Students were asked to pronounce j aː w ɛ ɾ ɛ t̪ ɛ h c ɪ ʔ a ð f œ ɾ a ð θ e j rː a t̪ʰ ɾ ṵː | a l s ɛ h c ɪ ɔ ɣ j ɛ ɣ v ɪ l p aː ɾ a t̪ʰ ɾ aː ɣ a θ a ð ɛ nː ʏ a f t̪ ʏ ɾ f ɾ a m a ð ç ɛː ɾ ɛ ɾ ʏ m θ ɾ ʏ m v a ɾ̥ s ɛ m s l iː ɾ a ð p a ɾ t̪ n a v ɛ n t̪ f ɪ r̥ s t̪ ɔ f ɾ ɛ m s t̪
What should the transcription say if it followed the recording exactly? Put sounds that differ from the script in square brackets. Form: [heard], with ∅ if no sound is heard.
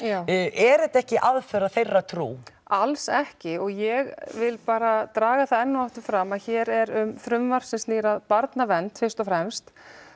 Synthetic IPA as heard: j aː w ɛ ɾ ɛ t̪ ɛ h c ɪ ʔ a ð f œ ɾ a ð θ e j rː a t̪ʰ ɾ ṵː | a l s ɛ h c ɪ ɔ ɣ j ɛ ɣ v ɪ l p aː ɾ a [t̪] ɾ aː ɣ a θ a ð ɛ nː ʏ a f t̪ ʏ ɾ f ɾ a m a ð ç ɛː ɾ ɛ ɾ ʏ m θ ɾ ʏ m v a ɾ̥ s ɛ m s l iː ɾ a ð p a ɾ t̪ n a v ɛ n t̪ f ɪ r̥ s t̪ ɔ f ɾ ɛ m s t̪

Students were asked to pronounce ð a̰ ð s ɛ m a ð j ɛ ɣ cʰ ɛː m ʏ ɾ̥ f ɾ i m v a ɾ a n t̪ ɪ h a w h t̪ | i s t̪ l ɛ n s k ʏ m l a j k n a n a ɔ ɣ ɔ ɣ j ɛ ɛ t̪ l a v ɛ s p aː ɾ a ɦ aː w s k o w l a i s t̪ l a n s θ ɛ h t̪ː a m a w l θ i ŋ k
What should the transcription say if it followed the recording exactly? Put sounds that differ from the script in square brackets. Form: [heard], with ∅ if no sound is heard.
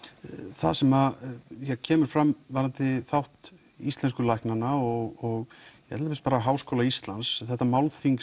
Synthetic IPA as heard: [θ] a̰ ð s ɛ m a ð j ɛ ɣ cʰ ɛː m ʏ ɾ̥ f ɾ [a] m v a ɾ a n t̪ ɪ [θ] a w h t̪ | i s t̪ l ɛ n s k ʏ [∅] l a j k n a n a ɔ ɣ ɔ ɣ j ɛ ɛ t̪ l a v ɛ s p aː ɾ a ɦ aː w s k o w l a i s t̪ l a n s θ ɛ h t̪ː a m a w l θ i ŋ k

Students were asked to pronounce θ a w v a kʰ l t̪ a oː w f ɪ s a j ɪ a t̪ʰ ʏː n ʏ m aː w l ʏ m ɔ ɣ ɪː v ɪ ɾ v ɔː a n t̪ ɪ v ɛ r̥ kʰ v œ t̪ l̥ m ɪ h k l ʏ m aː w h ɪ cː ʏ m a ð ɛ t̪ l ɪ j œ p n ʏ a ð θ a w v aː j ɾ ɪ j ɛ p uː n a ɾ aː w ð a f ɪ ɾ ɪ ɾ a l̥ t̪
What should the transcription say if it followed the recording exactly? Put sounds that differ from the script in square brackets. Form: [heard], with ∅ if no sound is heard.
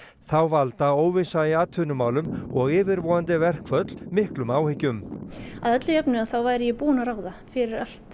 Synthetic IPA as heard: θ a w v a [∅] l t̪ a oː w [v] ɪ s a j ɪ a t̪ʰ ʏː n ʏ m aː w l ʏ m ɔ ɣ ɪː v ɪ ɾ v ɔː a n t̪ ɪ v ɛ r̥ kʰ v œ t̪ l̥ m ɪ h k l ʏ m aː w h ɪ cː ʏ m a ð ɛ t̪ l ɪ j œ p n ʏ a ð θ a w v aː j ɾ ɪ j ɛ p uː n a ɾ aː w ð a f ɪ ɾ ɪ ɾ a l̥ t̪

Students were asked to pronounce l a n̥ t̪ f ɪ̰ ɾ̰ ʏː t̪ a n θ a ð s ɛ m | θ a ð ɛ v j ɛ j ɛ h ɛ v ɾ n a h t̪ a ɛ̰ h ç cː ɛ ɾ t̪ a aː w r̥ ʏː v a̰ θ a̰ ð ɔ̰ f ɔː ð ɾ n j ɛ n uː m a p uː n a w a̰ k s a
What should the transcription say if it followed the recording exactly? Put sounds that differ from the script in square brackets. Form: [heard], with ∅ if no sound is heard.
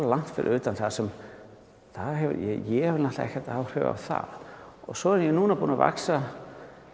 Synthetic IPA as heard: l a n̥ t̪ f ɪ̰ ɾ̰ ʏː t̪ a n θ a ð s ɛ m | θ a ð ɛ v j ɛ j ɛ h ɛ v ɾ n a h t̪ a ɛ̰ h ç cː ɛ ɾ t̪ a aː w r̥ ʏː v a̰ θ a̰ ð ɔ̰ [s] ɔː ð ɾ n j ɛ n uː [n] a p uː n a [v] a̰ k s a

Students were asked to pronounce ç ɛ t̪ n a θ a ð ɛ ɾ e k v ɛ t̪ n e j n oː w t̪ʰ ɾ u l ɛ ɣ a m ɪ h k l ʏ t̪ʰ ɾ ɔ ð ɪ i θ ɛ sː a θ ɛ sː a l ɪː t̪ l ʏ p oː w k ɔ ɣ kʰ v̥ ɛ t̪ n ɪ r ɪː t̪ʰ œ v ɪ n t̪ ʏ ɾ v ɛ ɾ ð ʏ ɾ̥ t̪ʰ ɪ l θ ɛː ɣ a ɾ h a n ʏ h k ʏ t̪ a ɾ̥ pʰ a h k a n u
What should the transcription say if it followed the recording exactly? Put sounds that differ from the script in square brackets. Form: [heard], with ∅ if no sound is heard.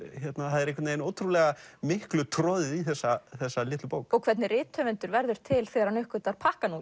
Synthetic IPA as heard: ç ɛ t̪ n a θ a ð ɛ ɾ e k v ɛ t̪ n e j n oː w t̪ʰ ɾ u l ɛ ɣ a m ɪ h k l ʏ t̪ʰ ɾ ɔ ð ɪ i θ ɛ sː a θ ɛ sː a l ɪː t̪ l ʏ p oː w k ɔ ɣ kʰ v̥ ɛ t̪ n ɪ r ɪː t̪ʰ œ v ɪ n t̪ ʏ ɾ v ɛ ɾ ð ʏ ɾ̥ t̪ʰ ɪ l θ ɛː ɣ a ɾ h a n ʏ h k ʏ t̪ a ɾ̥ pʰ a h k a n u

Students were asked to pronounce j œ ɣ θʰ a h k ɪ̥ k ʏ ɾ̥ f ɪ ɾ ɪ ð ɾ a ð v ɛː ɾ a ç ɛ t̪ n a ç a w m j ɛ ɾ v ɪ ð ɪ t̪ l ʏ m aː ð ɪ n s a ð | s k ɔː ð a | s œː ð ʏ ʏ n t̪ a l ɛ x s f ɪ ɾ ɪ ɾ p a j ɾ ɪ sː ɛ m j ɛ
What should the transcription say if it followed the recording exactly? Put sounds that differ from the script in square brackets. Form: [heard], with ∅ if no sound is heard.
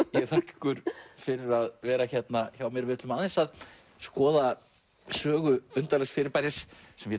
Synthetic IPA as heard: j [ɛ] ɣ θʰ a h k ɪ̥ k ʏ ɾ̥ f ɪ ɾ ɪ [∅] ɾ a ð v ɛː ɾ a ç ɛ t̪ n a ç a w m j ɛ ɾ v ɪ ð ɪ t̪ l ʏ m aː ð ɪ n s a ð | s k ɔː ð a | s œː [ɣ] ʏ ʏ n t̪ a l ɛ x s f ɪ ɾ ɪ ɾ p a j ɾ ɪ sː ɛ m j ɛ

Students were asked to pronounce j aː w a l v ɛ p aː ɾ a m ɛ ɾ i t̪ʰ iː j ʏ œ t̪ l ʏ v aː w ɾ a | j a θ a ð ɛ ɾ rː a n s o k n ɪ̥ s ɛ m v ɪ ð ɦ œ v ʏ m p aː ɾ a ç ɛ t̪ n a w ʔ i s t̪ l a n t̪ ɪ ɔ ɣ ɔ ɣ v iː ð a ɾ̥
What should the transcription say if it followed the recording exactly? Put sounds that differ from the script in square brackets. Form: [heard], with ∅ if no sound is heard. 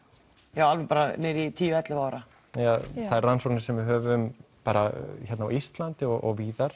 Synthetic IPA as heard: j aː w a l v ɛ p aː ɾ a [n] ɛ ɾ i t̪ʰ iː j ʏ [ɛ] t̪ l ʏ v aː w ɾ a | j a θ a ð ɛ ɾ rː a n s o k n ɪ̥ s ɛ m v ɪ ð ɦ [œː] v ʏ m p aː ɾ a ç ɛ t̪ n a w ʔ i s t̪ l a n t̪ ɪ ɔ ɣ ɔ ɣ v iː ð a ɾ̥

